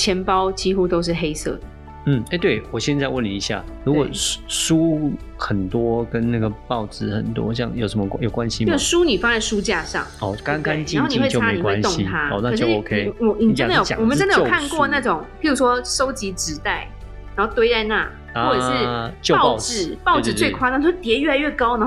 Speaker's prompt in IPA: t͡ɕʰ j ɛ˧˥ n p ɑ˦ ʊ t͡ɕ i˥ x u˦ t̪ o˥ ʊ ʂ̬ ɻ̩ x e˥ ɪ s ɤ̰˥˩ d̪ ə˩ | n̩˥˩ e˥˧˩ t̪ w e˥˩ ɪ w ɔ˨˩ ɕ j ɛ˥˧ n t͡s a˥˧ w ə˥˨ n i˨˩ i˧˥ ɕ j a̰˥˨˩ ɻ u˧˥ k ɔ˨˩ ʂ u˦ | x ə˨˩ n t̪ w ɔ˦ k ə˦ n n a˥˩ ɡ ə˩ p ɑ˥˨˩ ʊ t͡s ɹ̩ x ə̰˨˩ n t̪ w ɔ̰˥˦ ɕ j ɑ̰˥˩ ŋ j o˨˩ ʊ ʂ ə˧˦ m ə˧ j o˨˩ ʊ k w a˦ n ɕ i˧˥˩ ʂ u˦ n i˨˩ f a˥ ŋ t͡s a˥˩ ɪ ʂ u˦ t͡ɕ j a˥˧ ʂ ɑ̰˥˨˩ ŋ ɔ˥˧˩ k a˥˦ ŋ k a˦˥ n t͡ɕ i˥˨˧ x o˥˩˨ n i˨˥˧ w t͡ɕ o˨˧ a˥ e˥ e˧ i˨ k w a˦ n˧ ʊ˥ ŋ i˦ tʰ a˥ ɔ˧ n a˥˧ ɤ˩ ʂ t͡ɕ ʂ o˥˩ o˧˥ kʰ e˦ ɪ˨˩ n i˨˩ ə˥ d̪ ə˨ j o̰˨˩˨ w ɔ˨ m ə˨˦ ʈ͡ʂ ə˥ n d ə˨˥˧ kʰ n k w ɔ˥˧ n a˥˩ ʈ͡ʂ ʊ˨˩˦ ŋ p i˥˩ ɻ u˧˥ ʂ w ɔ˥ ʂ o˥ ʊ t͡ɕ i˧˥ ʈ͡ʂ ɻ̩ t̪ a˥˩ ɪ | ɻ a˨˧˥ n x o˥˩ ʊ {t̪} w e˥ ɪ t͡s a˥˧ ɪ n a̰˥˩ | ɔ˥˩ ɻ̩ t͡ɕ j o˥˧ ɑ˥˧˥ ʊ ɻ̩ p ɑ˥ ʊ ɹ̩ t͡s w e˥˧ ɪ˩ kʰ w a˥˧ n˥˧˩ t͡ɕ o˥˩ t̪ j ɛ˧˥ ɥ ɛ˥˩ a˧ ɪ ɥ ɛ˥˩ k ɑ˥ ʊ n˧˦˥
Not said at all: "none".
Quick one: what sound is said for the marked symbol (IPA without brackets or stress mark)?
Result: t̪